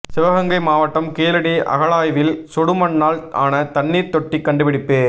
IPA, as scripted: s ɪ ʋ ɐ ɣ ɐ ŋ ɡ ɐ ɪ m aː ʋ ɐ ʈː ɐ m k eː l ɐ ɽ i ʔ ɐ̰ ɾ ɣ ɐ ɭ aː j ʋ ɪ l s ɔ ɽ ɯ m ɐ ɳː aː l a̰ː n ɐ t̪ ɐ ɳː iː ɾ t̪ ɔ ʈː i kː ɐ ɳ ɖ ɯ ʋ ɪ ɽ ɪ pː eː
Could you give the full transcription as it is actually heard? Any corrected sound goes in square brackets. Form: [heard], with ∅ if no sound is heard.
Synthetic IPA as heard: s ɪ ʋ ɐ ɣ ɐ ŋ ɡ ɐ ɪ m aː ʋ ɐ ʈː ɐ m k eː l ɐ ɽ i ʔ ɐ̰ [∅] ɣ ɐ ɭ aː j ʋ ɪ l s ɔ ɽ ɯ m ɐ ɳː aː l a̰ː n ɐ t̪ ɐ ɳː iː ɾ t̪ ɔ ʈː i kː ɐ ɳ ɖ ɯ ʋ ɪ ɽ ɪ pː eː